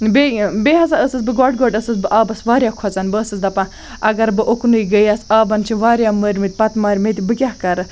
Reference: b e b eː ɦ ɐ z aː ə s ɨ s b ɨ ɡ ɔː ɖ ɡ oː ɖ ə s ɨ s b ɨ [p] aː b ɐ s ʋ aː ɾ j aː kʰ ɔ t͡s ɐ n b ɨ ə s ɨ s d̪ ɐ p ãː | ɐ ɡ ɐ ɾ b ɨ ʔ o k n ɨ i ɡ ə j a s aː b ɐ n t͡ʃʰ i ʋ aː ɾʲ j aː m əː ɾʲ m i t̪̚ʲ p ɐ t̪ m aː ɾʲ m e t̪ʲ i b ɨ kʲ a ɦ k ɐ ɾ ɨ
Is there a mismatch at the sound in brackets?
yes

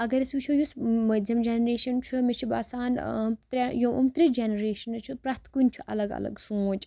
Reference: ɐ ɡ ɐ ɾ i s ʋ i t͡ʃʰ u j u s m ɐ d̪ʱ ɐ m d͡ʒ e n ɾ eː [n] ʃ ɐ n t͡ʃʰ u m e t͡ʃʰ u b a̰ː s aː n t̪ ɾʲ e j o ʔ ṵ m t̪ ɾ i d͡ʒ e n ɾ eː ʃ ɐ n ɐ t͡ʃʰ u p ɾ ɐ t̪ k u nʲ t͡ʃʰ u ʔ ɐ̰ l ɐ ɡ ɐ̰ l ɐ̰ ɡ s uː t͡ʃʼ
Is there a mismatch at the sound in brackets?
yes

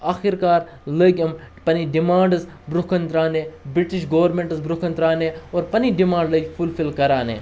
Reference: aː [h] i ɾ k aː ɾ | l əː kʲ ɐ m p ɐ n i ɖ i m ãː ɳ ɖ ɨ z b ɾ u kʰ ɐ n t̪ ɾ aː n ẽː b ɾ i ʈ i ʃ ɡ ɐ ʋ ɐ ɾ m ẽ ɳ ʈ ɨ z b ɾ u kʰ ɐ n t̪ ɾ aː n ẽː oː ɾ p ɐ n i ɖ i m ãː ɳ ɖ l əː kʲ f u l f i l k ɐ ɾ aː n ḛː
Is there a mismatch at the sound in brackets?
yes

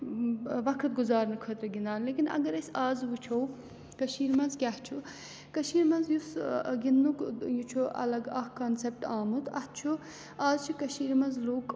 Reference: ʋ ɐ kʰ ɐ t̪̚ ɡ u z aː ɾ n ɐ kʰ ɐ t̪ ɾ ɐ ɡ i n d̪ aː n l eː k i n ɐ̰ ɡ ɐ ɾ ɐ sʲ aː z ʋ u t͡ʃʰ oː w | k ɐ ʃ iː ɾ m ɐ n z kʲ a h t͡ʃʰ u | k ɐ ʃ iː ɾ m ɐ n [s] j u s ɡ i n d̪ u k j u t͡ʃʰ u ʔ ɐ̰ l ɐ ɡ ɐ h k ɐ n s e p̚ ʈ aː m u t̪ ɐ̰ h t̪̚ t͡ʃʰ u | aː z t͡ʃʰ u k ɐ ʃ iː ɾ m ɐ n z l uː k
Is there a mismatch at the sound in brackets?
yes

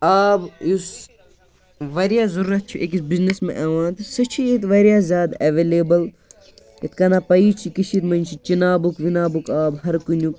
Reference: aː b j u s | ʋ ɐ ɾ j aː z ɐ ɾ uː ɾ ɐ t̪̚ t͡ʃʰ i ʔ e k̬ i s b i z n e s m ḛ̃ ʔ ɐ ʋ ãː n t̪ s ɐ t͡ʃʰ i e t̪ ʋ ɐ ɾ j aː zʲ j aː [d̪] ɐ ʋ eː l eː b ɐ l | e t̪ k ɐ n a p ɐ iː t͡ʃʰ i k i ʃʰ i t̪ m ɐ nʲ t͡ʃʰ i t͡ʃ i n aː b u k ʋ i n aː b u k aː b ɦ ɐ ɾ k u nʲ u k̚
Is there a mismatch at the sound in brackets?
no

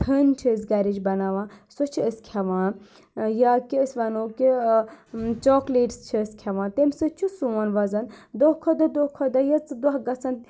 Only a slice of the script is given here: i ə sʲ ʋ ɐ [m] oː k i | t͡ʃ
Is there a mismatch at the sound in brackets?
yes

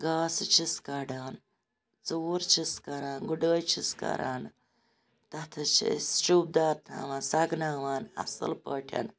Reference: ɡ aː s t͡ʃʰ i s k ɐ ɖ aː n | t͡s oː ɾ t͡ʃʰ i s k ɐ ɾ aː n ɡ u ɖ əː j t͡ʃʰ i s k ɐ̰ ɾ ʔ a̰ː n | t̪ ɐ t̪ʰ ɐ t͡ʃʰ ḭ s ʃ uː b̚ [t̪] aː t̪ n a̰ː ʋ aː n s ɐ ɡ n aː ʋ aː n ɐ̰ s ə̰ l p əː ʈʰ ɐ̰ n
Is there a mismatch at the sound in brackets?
yes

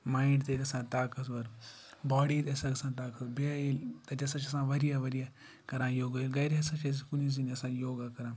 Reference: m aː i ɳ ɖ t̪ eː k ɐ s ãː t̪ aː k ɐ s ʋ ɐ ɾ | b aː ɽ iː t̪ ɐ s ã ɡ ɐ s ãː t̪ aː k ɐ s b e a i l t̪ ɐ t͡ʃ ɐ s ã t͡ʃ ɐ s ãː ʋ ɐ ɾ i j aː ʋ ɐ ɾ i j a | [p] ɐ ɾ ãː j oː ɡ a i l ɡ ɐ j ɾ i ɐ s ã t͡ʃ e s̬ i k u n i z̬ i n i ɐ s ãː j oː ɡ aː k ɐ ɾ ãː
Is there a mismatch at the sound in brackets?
yes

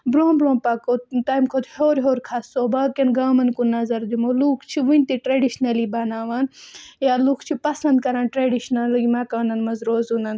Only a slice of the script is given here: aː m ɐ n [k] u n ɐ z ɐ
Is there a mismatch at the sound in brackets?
no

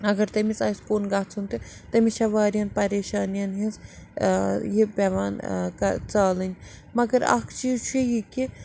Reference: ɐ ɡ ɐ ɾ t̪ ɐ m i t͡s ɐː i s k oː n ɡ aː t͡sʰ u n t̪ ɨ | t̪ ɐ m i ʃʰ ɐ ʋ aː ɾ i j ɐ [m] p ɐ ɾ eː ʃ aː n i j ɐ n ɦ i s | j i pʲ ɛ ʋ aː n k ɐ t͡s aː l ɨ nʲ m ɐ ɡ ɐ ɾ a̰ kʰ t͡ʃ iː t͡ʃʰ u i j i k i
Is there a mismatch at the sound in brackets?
yes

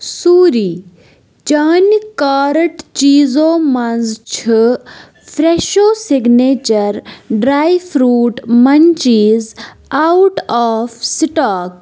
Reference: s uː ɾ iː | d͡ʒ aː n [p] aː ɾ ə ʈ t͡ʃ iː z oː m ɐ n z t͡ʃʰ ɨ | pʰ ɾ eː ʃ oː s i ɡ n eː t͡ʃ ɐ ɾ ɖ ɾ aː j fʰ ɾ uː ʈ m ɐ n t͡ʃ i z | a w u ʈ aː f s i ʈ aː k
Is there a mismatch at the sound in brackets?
yes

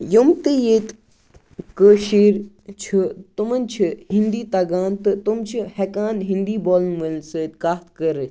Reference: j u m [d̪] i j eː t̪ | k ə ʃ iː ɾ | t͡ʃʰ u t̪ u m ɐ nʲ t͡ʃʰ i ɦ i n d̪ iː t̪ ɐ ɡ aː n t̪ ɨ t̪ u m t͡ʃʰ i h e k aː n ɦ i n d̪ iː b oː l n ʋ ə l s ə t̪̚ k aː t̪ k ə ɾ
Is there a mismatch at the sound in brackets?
yes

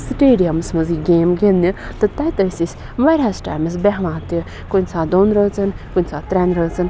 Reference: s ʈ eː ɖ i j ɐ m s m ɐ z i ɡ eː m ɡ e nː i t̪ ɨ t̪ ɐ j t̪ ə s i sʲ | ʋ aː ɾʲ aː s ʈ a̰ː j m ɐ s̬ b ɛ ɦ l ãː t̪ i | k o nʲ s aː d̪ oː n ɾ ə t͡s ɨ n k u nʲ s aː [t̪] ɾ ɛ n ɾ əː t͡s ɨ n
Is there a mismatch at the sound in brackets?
no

